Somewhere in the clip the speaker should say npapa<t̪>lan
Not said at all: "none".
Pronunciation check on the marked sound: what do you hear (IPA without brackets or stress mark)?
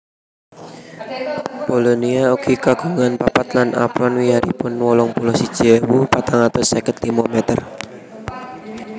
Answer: t̪